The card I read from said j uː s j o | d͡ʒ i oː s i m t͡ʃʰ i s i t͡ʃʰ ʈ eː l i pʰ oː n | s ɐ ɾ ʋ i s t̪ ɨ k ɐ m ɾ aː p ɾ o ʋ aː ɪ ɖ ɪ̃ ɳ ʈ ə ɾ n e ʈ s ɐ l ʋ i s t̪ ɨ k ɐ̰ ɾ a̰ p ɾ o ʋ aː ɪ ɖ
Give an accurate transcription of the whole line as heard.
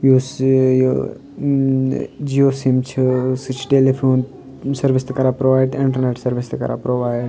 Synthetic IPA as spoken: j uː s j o | d͡ʒ i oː s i m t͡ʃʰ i s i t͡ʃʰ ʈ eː l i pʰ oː n | s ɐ ɾ ʋ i s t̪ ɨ k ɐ ɾ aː p ɾ o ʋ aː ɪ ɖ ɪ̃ ɳ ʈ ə ɾ n e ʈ s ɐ ɾ ʋ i s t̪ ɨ k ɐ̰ ɾ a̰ p ɾ o ʋ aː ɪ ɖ